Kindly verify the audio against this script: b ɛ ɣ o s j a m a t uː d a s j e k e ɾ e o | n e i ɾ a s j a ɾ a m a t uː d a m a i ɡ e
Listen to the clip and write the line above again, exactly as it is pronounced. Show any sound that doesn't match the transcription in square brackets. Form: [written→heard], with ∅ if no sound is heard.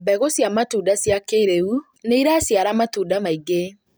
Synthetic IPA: b ɛ ɣ o s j a m a t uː d a s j [e→a] k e ɾ e [o→u] | n e i ɾ a s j a ɾ a m a t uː d a m a i ɡ e